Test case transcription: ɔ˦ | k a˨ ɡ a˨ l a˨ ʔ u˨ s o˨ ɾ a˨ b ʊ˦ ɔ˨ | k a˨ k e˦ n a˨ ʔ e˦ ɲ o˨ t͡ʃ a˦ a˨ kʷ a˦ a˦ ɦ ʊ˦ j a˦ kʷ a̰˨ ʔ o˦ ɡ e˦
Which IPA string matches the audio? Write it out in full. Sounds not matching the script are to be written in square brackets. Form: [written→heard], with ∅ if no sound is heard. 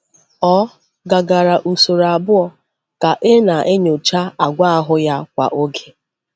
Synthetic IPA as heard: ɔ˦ | [k→ɡ] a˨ ɡ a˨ [l→ɾ] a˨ ʔ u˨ s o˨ ɾ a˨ b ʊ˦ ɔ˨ | k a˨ [k→ʔ] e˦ n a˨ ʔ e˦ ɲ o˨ t͡ʃ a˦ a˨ [kʷ→ɡʷ] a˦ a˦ ɦ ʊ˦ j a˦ kʷ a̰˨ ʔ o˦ ɡ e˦

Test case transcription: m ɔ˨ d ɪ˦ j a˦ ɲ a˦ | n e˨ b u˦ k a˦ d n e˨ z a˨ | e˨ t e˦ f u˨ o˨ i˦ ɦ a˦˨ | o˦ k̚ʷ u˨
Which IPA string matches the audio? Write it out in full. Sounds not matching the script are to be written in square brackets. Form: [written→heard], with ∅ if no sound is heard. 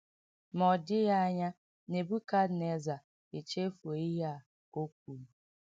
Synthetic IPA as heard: m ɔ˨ d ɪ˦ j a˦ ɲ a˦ | n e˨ b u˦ k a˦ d n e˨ z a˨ | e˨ [t→t͡ʃ] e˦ f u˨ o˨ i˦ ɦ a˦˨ | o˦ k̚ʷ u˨

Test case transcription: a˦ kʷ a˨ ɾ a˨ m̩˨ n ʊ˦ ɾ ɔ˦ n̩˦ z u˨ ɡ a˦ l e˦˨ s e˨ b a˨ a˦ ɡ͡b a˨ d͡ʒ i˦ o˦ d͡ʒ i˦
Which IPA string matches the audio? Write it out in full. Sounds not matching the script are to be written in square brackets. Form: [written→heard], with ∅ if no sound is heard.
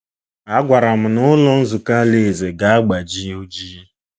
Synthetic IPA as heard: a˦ [kʷ→ɡʷ] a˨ ɾ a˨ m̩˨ n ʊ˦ [ɾ→l] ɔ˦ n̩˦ z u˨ [ɡ→k] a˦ l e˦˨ [s→z] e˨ [b→ɡ] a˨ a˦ ɡ͡b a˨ d͡ʒ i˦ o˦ d͡ʒ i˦

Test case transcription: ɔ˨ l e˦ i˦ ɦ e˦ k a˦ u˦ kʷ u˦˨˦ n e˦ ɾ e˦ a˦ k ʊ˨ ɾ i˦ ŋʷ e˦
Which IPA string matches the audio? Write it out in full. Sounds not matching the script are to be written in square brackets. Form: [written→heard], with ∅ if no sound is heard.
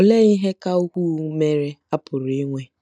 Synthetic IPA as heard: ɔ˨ l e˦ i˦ ɦ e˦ k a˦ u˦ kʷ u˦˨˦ [n→m] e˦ ɾ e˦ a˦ [k→p] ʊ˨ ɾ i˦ ŋʷ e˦

